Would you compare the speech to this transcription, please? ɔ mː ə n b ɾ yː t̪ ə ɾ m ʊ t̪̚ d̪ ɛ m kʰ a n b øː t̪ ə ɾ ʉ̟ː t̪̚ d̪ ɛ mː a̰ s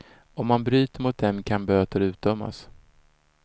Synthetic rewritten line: ɔ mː a n b ɾ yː t̪ ə ɾ m ʊ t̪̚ d̪ ɛ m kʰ a n b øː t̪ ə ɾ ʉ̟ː t̪̚ d̪ œ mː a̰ s